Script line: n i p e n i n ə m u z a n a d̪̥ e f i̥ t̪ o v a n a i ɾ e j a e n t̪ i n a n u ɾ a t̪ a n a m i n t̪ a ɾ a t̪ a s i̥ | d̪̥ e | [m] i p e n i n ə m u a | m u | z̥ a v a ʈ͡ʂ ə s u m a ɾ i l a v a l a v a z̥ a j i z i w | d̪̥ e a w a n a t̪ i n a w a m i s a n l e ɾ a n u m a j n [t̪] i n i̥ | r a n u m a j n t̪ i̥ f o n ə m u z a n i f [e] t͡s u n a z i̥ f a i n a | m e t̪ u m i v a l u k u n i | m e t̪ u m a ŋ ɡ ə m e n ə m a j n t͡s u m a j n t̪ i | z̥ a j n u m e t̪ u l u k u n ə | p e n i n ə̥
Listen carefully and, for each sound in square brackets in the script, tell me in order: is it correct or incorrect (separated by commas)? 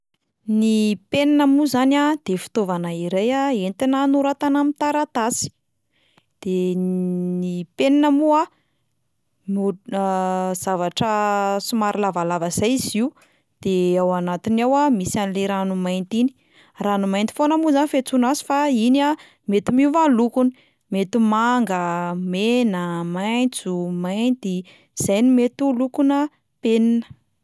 incorrect, correct, correct